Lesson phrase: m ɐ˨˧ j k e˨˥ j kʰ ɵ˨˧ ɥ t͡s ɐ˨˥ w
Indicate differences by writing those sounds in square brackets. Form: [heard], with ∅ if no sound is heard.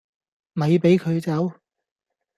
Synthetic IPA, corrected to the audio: m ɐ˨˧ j [p] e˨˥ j kʰ ɵ˨˧ ɥ t͡s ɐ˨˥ w